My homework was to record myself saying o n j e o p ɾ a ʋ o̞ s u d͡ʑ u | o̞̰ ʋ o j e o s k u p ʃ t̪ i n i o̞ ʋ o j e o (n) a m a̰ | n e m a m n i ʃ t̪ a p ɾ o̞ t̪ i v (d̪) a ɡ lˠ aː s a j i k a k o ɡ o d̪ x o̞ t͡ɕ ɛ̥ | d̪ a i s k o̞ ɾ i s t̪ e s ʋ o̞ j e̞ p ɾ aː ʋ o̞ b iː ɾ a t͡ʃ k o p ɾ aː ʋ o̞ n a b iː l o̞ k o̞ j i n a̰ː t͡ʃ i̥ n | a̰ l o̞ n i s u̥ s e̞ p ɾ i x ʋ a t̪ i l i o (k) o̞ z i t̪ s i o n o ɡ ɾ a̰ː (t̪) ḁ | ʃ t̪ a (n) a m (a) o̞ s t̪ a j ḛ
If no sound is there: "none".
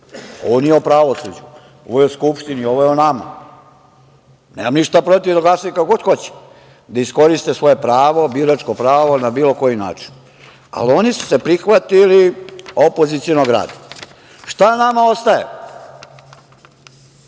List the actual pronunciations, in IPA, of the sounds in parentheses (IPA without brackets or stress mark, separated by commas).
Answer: n, d̪, p, d̪, n, a